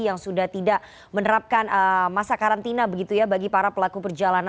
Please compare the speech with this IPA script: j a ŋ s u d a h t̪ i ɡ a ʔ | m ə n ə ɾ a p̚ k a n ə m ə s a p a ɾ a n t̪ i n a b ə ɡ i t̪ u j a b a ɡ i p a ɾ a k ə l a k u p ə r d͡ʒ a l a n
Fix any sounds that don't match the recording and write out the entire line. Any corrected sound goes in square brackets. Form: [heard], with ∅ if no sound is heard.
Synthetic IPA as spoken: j a ŋ s u d a h t̪ i [d] a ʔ | m ə n ə ɾ a p̚ k a n ə m [a] s a [k] a ɾ a n t̪ i n a b ə ɡ i t̪ u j a b a ɡ i p a ɾ a [p] ə l a k u p ə r d͡ʒ a l a n